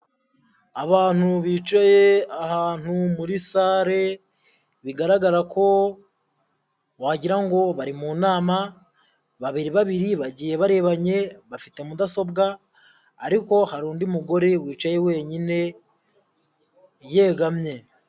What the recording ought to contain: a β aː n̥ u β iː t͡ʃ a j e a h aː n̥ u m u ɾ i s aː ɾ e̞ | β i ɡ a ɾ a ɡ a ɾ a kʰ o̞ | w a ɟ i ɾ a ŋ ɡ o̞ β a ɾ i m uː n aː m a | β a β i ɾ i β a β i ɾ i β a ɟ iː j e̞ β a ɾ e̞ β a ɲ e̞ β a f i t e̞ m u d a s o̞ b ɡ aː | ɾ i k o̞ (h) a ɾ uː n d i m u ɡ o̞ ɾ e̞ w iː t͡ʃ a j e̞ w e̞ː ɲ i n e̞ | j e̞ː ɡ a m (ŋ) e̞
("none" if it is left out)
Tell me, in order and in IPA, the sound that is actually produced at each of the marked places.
h, ɲ

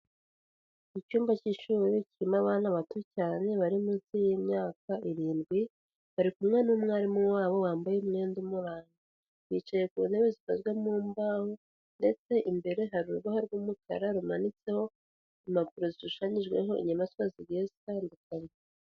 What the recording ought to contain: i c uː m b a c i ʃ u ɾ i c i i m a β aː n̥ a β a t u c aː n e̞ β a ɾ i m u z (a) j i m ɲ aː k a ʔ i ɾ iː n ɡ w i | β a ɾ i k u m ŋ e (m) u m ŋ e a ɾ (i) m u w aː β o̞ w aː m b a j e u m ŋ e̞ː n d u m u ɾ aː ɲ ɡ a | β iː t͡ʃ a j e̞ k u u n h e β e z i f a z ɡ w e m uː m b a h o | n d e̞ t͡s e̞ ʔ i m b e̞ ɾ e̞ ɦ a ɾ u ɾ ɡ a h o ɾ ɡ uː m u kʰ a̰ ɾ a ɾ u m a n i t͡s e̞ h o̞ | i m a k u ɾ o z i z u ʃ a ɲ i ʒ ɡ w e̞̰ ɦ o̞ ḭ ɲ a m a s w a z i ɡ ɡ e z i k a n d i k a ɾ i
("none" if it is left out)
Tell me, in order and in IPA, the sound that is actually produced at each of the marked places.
i, n, i

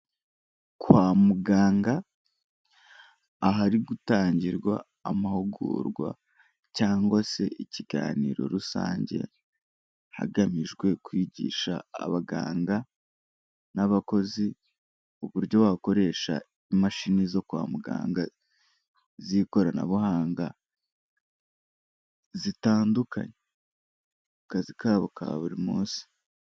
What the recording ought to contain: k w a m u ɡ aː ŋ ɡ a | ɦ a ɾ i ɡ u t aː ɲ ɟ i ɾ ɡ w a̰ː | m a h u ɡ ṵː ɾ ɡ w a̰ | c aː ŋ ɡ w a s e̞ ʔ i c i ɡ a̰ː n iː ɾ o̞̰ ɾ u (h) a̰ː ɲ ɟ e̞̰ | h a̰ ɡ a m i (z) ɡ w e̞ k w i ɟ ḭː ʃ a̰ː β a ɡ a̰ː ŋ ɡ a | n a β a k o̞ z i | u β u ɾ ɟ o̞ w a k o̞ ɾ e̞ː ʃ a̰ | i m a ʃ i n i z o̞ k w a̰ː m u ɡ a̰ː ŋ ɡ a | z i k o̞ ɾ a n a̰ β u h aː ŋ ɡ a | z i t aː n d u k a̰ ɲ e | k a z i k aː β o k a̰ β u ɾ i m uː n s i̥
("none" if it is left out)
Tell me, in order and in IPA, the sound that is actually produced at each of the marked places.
s, ʒ

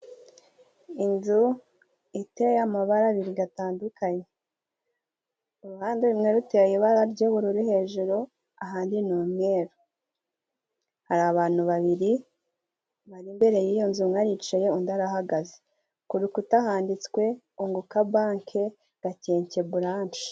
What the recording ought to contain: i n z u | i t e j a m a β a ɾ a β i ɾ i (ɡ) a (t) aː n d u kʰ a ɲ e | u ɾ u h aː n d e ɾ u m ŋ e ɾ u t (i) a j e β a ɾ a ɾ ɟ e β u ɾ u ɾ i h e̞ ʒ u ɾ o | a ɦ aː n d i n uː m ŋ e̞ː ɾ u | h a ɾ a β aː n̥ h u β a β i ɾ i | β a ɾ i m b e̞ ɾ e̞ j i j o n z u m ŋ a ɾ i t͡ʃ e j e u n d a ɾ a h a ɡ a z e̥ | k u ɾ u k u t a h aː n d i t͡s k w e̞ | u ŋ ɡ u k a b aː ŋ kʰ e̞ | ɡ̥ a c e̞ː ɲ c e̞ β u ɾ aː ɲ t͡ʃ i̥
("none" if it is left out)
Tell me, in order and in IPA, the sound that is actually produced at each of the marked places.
ɡ, t, e

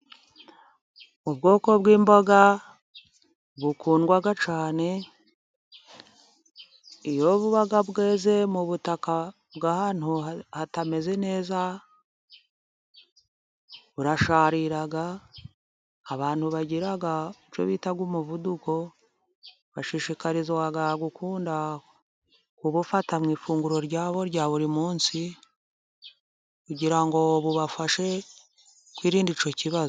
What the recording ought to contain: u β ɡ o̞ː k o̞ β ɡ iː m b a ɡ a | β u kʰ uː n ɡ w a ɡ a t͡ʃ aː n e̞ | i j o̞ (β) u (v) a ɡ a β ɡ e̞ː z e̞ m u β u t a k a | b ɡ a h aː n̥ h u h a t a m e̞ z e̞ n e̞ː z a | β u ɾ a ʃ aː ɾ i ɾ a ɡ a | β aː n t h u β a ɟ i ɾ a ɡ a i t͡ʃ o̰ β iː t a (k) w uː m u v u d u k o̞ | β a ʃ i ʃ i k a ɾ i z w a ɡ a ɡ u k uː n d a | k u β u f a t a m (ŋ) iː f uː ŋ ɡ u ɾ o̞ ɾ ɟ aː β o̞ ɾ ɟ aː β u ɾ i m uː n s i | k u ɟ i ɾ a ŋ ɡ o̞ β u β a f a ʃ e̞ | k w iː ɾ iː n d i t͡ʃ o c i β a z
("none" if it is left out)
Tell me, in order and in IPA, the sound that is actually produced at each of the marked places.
β, β, ɡ, ŋ

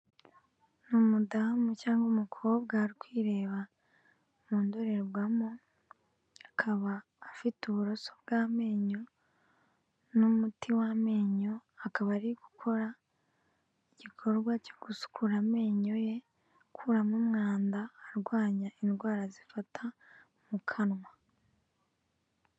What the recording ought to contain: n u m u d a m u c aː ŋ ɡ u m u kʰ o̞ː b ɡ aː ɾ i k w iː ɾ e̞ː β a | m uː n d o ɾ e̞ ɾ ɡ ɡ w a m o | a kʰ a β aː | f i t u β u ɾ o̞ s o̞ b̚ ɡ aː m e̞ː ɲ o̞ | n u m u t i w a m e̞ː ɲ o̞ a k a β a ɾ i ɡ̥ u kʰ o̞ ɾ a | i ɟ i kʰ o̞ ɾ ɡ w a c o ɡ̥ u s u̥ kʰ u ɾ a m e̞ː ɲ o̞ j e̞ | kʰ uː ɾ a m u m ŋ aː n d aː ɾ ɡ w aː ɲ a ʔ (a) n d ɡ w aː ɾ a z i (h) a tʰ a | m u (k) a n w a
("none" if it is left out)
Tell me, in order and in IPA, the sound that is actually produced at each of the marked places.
i, f, kʰ

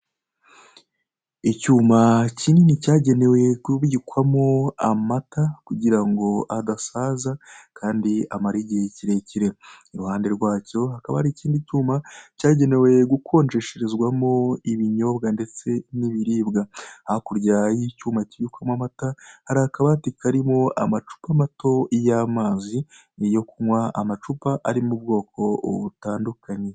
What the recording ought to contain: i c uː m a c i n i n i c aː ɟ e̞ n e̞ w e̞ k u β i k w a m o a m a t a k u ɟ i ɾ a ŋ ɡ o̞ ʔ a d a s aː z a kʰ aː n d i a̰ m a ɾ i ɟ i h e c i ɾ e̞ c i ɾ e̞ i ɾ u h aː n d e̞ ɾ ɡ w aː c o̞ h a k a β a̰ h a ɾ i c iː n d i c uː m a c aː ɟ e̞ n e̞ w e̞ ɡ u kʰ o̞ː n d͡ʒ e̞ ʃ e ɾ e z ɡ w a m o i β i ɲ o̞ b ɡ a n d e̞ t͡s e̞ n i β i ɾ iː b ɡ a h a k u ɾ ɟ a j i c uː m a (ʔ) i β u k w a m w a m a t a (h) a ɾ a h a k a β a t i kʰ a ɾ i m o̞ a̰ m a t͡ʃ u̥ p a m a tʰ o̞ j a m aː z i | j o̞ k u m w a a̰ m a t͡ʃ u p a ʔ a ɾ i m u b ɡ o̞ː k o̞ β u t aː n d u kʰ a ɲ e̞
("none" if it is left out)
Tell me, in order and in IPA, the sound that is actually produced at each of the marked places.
c, h

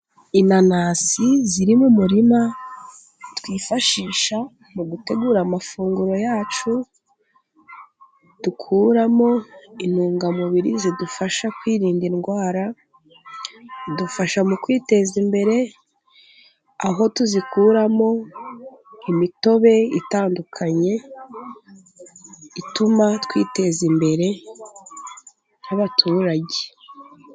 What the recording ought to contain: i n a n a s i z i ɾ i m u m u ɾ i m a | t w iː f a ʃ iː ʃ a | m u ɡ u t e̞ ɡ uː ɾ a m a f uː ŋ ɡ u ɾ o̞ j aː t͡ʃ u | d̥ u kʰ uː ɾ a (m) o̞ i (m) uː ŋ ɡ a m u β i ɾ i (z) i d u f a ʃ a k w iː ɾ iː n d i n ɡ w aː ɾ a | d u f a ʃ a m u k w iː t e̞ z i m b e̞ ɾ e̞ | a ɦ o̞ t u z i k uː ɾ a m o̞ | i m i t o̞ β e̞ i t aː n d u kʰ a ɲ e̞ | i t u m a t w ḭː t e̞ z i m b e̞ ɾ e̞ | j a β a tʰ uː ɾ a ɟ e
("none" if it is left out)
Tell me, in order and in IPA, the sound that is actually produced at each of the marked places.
m, n, z

